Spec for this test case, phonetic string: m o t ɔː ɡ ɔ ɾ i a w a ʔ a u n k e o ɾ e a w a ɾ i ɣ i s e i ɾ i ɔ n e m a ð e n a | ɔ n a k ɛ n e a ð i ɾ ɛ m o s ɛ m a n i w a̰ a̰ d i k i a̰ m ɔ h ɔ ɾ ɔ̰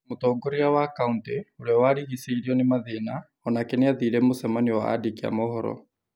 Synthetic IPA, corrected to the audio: m o t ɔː ɡ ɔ ɾ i a w a k a u n t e o ɾ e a w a ɾ i ɣ i s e i ɾ i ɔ n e m a ð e n a | ɔ n a k ɛ n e a ð i ɾ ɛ m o s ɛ m a n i w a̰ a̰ d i k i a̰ m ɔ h ɔ ɾ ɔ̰

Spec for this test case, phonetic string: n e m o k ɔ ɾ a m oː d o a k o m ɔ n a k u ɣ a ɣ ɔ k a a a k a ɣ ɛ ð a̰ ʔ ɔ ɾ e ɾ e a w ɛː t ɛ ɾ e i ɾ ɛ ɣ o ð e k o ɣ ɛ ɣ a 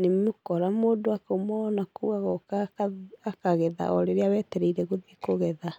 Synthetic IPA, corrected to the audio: n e m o k ɔ ɾ a m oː d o a k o m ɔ n a k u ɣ a ɣ ɔ k a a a k a ɣ ɛ ð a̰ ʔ ɔ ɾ e ɾ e a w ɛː t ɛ ɾ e i ɾ ɛ ɣ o ð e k o ɣ ɛ ð a

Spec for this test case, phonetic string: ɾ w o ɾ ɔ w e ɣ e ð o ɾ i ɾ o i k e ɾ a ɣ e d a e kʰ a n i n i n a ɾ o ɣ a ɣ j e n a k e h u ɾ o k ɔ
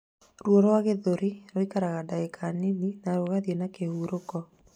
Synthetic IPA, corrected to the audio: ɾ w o ɾ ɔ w a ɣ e ð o ɾ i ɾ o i k a ɾ a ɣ a d a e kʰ a n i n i n a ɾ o ɣ a ð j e n a k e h u ɾ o k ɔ

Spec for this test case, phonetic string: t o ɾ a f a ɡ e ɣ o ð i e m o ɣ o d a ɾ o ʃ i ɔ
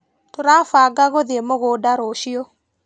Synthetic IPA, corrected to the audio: t o ɾ a f a ɡ a ɣ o ð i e m o ɣ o d a ɾ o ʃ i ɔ

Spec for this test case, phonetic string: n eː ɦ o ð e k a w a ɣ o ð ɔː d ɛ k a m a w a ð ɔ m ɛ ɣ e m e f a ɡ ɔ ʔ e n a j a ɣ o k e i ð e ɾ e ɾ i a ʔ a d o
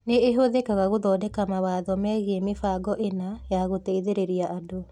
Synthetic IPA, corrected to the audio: n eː ɦ o ð e k a ɣ a ɣ o ð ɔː d ɛ k a m a w a ð ɔ m ɛ ɣ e m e f a ɡ ɔ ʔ e n a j a ɣ o t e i ð e ɾ e ɾ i a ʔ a d o

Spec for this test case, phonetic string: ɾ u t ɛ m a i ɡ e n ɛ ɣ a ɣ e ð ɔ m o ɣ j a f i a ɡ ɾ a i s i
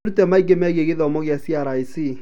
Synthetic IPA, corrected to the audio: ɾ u t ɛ m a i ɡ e m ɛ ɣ e ɣ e ð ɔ m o ɣ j a s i a ɾ a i s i

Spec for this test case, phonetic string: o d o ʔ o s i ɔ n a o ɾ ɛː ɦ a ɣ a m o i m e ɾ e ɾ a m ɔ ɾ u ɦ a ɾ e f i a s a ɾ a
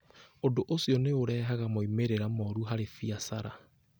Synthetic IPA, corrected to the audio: o d o ʔ o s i ɔ n e o ɾ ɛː ɦ a ɣ a m o i m e ɾ e ɾ a m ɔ ɾ u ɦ a ɾ e f i a s a ɾ a

